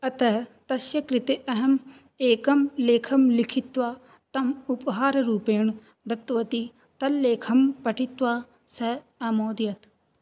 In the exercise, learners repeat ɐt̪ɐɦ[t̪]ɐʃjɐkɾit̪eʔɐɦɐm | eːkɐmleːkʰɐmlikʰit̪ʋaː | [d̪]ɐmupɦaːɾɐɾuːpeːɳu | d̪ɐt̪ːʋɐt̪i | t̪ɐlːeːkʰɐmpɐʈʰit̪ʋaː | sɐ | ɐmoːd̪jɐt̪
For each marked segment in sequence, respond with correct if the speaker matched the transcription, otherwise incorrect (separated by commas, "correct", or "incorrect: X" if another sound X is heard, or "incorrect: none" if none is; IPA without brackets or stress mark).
correct, incorrect: t̪